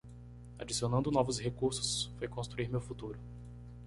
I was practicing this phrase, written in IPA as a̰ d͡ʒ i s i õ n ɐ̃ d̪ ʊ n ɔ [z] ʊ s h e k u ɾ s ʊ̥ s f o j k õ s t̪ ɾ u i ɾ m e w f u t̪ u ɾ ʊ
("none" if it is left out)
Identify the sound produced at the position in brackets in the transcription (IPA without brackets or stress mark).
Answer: v